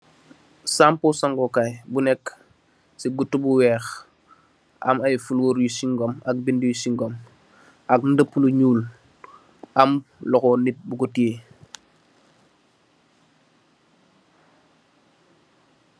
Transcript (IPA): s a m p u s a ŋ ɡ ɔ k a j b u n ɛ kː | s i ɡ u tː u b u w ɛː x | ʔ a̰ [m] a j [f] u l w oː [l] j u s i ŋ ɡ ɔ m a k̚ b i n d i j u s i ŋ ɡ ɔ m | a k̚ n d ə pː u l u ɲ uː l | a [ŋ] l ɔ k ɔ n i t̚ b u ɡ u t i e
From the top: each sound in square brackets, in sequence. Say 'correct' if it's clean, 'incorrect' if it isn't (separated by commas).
correct, correct, incorrect, incorrect